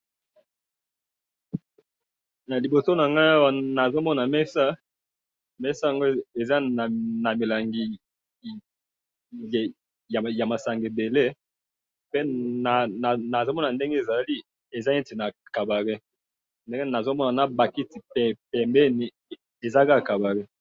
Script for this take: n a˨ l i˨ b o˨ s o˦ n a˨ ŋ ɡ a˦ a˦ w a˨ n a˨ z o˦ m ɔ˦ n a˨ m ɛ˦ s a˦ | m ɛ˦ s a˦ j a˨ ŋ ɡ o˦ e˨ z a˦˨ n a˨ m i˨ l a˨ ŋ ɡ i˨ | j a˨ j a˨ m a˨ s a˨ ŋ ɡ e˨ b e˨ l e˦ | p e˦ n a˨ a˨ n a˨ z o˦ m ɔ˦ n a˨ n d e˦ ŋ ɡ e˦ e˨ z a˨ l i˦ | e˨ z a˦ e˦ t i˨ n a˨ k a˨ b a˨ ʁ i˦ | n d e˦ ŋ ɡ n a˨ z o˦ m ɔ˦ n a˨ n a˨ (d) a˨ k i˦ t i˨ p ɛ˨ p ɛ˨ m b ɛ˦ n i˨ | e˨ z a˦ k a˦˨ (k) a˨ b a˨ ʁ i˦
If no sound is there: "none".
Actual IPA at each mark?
b, k

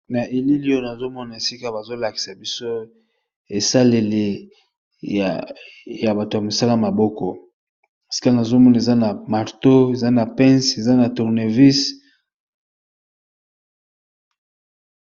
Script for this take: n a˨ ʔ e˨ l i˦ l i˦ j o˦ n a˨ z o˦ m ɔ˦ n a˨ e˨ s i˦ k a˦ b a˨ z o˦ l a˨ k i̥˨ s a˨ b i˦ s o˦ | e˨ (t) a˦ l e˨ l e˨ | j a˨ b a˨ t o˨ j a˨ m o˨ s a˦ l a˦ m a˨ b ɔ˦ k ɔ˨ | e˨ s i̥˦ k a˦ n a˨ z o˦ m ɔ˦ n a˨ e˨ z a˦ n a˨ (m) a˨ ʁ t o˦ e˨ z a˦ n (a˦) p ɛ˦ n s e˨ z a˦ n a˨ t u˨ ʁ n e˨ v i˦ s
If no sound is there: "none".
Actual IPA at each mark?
s, m, a˨

